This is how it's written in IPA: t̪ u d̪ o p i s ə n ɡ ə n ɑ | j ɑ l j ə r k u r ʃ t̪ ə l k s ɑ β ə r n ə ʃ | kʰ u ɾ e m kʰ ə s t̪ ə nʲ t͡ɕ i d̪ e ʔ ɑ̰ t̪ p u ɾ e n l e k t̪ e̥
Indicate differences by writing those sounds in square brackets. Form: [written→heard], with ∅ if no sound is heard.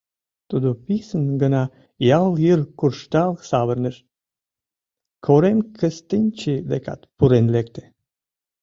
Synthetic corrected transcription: t̪ u d̪ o p i s ə n ɡ ə n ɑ | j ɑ l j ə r k u r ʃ t̪ [ə→ɑ] l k s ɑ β ə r n ə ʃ | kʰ [u→o] ɾ e m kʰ ə s t̪ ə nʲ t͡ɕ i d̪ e [ʔ→k] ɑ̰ t̪ p u ɾ e n l e k t̪ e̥